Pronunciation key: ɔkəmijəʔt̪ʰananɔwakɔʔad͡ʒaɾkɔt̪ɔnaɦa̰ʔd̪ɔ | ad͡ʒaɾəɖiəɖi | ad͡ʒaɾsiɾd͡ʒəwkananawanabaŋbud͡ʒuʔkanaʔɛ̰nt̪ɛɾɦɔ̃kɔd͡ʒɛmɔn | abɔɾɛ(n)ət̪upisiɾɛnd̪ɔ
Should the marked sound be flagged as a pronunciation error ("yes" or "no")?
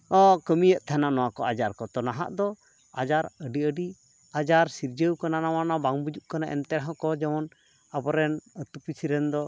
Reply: no